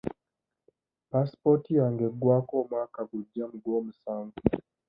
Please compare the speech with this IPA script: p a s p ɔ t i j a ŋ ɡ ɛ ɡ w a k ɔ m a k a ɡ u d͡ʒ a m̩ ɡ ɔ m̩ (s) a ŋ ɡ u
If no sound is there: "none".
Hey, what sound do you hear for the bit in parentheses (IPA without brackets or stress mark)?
s